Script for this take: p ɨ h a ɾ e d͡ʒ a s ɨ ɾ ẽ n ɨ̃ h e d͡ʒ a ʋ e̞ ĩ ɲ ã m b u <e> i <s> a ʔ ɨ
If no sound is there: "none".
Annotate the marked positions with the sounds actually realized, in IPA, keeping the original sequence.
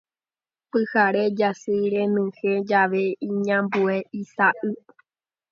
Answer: e, s

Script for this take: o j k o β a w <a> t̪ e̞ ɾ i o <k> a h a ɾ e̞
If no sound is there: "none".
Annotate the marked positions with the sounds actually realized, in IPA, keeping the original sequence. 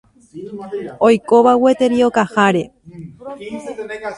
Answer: e, k

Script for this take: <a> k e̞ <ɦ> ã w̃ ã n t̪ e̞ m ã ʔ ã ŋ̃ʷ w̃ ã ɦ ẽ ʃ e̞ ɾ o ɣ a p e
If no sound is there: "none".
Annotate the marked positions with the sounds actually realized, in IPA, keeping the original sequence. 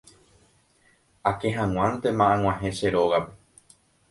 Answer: a, ɦ

